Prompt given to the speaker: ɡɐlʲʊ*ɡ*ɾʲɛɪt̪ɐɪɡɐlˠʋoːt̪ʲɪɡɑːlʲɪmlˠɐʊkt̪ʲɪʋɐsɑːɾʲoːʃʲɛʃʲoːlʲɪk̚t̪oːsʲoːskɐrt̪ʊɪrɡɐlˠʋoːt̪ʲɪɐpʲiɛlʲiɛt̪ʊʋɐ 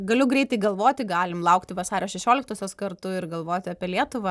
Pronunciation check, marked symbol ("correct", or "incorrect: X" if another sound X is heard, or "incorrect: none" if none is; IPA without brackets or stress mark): correct